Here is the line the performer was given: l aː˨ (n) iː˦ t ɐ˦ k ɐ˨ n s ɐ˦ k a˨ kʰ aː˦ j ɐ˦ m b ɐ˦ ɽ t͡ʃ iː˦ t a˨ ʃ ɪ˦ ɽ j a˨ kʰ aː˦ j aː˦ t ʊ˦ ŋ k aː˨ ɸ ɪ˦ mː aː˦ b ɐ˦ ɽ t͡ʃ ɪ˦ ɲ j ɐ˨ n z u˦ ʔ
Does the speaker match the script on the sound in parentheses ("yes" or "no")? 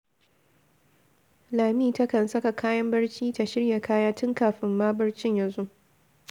no